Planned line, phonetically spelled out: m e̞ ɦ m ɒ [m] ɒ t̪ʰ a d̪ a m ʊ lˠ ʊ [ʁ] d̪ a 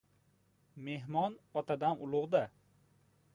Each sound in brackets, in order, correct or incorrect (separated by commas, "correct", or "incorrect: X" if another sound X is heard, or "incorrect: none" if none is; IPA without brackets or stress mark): incorrect: n, correct